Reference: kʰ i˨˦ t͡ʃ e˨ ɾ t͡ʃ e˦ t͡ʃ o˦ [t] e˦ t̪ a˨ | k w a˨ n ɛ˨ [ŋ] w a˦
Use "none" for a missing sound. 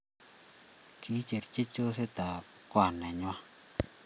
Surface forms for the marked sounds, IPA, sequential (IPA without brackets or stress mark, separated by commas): s, ɲ